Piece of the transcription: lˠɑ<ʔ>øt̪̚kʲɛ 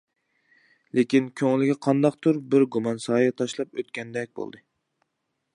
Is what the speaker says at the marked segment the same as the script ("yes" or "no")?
no